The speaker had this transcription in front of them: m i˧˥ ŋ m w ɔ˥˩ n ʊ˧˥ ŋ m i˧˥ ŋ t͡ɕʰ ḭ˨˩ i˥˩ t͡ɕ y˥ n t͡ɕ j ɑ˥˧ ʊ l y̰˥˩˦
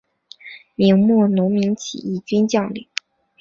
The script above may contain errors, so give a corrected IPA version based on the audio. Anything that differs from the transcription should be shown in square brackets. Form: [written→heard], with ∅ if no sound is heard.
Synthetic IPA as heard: m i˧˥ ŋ m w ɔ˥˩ n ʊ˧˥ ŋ m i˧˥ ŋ t͡ɕʰ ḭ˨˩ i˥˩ t͡ɕ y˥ n t͡ɕ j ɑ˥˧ ʊ l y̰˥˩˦